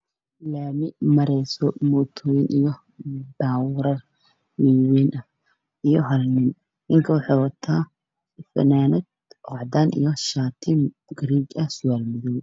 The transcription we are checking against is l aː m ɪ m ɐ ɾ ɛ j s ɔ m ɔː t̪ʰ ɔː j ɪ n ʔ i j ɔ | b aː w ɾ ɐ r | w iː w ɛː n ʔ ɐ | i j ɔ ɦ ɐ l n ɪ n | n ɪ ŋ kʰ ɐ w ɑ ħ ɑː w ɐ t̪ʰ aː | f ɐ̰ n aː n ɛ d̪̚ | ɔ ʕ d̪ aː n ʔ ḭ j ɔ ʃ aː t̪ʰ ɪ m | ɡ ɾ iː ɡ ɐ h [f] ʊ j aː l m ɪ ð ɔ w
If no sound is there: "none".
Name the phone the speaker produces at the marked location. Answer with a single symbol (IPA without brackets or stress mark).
s